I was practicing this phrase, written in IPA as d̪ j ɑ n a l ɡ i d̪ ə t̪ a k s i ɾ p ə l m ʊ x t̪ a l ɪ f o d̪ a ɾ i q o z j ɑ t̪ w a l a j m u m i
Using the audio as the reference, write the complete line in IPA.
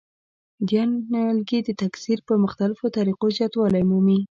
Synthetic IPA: d̪ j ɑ n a l ɡ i d̪ ə t̪ a k s i ɾ p ə m ʊ x t̪ a l ɪ f o t̪ a ɾ i q o z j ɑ t̪ w ɑ l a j m u m i